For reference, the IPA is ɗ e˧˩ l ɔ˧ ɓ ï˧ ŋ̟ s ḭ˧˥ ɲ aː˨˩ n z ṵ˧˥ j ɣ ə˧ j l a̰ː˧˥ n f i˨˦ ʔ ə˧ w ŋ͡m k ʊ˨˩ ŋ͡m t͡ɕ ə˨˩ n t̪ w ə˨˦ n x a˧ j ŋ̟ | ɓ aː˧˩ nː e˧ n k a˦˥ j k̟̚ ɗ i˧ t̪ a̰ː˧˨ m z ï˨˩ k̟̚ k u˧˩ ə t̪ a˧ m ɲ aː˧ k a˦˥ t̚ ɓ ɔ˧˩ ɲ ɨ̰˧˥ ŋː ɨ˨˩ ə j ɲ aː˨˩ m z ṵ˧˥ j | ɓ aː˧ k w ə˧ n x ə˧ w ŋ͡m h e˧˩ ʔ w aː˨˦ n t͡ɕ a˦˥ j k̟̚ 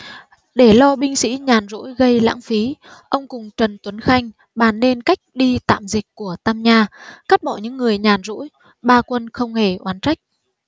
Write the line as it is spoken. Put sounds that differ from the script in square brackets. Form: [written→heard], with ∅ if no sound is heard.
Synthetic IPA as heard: ɗ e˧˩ l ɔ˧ ɓ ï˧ ŋ̟ s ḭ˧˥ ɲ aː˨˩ n z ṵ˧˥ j ɣ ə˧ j l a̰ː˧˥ [n→ŋ] f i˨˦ ʔ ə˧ w ŋ͡m k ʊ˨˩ ŋ͡m t͡ɕ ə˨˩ n t̪ w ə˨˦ n x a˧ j ŋ̟ | ɓ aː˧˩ nː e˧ n k a˦˥ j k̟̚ ɗ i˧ t̪ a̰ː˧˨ m z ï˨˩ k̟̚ k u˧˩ ə t̪ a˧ m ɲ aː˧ k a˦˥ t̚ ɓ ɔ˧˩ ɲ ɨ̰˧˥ ŋː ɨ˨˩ ə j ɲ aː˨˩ [m→n] z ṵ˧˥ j | ɓ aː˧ k w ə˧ n x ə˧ w ŋ͡m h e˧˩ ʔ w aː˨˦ n t͡ɕ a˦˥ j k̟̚